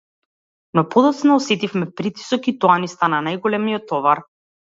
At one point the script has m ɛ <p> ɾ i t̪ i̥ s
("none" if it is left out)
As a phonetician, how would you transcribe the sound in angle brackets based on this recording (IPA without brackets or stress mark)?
p